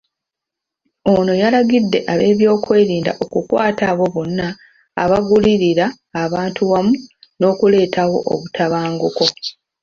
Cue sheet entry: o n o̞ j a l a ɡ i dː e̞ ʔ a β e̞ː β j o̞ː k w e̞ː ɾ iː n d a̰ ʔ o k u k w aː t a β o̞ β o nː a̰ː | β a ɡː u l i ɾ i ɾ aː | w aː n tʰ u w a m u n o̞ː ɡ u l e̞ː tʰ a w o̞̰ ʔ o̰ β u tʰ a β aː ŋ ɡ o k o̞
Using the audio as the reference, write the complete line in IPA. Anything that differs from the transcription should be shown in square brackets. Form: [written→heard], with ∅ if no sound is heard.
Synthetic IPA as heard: o n o̞ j a l a ɡ i dː e̞ ʔ a β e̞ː β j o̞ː k w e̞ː ɾ iː n d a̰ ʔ o k u k w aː t a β o̞ β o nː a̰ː | β a [ɡː→ɡ] u l i ɾ i ɾ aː | [w→β] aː n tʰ u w a m u n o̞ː [ɡ→k] u l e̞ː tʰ a w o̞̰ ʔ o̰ β u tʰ a β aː ŋ ɡ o k o̞